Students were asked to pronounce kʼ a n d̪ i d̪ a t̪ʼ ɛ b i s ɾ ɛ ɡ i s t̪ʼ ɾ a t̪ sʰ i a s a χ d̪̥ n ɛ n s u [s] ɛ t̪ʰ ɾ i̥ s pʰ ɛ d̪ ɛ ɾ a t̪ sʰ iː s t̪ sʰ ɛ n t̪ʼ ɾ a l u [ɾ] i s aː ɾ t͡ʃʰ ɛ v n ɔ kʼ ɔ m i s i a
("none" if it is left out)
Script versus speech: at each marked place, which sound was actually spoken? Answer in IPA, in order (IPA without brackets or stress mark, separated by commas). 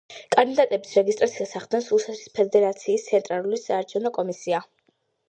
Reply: s, l